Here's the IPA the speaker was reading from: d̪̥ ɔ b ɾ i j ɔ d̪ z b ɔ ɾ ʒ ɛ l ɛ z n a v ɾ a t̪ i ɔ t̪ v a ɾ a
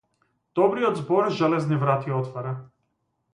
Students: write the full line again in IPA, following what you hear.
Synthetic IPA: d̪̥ ɔ b ɾ i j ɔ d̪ z b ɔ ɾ ʒ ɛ l ɛ z n i v ɾ a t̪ i ɔ t̪ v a ɾ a